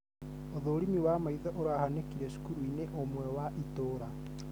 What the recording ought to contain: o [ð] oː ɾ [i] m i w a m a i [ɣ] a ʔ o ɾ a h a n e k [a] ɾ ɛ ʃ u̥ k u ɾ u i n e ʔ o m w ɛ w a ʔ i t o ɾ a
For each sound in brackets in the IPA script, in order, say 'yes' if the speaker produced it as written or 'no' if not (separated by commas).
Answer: yes, yes, no, no